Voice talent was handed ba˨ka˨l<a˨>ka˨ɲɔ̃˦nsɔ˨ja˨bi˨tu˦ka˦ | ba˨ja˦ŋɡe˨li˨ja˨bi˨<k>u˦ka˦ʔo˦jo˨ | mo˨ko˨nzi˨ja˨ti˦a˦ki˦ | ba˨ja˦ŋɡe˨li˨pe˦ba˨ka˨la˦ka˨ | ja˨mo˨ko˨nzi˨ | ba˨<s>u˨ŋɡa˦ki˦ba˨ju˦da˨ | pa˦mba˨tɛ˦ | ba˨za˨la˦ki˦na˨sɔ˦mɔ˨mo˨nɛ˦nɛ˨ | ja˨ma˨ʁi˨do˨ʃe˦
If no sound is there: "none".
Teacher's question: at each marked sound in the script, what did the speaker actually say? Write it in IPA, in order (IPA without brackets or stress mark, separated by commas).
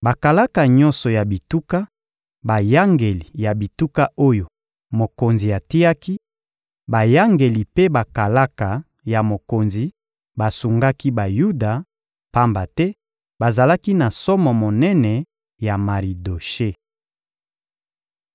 a˦, t, s